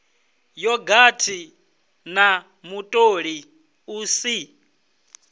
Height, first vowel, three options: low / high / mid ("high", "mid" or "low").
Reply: mid